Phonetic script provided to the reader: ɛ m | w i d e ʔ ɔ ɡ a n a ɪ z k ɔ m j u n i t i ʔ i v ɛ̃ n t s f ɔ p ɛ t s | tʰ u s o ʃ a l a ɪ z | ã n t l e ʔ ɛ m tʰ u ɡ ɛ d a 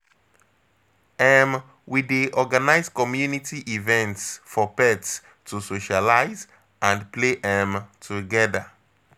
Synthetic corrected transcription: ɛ m | w i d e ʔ ɔ ɡ a n a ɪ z k ɔ m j u n i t i ʔ i v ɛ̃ n t s f ɔ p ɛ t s | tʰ u s o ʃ a l a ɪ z | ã n p l e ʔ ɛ m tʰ u ɡ ɛ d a